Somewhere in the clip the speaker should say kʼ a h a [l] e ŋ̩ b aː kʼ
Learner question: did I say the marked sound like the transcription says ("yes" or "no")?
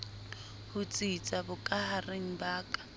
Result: no